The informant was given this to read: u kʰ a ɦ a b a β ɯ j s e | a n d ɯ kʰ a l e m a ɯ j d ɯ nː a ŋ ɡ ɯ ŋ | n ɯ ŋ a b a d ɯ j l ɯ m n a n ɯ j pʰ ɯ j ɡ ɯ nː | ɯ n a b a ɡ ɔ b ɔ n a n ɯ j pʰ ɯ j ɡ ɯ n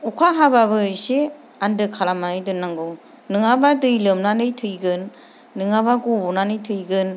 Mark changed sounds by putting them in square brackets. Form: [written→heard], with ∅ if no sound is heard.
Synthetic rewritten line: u kʰ a ɦ a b a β ɯ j s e | a n d ɯ kʰ a l [e→a] m a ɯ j d ɯ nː a ŋ ɡ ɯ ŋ | n ɯ ŋ a b a d ɯ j l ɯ m n a n ɯ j [pʰ→tʰ] ɯ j ɡ ɯ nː | ɯ [n→ŋ] a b a ɡ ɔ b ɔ n a n ɯ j [pʰ→tʰ] ɯ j ɡ ɯ n